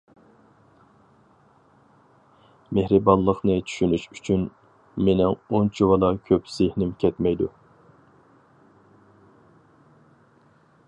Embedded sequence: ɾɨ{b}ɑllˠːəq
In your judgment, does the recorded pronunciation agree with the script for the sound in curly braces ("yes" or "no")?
yes